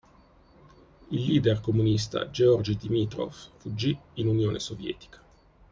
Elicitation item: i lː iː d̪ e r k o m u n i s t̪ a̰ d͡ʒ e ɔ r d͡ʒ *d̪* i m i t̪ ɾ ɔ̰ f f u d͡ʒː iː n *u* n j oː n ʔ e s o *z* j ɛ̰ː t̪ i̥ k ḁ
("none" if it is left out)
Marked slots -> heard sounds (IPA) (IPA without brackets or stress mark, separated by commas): d̪, u, v